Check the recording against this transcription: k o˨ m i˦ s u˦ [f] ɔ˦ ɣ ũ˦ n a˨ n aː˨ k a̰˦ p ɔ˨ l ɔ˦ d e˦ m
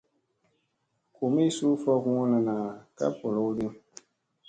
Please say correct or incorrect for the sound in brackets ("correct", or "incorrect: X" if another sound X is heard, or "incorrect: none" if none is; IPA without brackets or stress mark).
correct